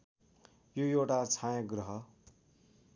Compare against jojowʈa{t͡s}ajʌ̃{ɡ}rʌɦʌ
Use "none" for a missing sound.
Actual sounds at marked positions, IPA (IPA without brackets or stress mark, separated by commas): t͡sʰ, ɡ